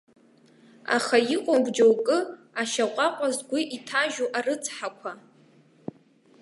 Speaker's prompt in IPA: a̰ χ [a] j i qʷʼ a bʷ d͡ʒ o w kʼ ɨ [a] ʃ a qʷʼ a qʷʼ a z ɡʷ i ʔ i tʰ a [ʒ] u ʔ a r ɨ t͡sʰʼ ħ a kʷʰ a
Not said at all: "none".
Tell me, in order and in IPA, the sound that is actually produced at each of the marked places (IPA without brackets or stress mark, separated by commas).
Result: a, a, ʒ